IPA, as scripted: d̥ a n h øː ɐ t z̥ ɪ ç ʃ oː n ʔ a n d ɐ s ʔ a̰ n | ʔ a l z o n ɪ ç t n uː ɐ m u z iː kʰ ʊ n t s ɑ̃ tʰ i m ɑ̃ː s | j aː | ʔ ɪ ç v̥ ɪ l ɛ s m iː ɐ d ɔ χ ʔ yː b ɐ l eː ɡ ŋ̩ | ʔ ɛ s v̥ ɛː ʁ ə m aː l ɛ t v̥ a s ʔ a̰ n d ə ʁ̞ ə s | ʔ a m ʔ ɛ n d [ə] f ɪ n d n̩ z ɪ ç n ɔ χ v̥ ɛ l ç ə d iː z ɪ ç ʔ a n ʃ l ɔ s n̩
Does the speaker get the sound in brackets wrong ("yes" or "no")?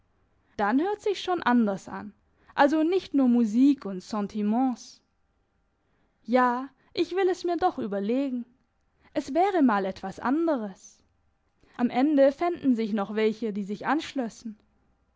no